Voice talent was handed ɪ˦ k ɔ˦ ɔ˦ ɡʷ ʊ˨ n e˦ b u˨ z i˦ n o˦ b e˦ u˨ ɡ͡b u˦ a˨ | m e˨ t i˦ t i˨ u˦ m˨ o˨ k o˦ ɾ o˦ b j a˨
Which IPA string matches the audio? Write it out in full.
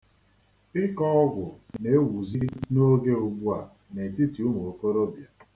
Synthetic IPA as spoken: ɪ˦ k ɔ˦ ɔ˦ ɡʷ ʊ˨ n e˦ w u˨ z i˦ n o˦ ɡ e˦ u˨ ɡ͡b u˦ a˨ | n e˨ t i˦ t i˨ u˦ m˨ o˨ k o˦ ɾ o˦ b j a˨